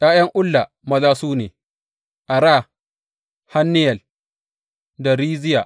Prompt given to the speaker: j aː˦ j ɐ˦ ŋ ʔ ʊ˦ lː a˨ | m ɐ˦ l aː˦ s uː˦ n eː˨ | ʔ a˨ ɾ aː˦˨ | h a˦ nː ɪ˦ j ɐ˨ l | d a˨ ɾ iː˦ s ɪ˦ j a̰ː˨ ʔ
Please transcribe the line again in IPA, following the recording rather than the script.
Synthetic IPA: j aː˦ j ɐ˦ ŋ ʔ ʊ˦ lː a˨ | m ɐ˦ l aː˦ s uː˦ n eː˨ | ʔ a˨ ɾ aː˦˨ | h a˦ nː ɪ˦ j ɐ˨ l | d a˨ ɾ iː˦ z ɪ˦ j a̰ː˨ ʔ